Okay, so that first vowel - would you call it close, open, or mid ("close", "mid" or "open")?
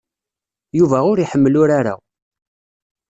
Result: close